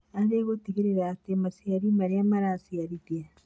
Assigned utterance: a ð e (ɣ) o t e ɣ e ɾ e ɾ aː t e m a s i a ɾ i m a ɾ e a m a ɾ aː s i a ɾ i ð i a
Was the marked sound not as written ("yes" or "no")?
no